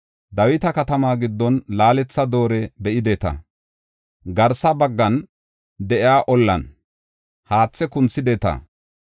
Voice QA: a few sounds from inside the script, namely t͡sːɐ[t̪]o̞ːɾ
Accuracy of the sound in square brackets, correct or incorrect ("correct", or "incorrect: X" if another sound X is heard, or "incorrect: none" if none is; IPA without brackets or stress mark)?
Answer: incorrect: d̪